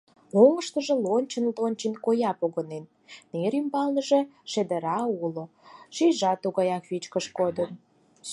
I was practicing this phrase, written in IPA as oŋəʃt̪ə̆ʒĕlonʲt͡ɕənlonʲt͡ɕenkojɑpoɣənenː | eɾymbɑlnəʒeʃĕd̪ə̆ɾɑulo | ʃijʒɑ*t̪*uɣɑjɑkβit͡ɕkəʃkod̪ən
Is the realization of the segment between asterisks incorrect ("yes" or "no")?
no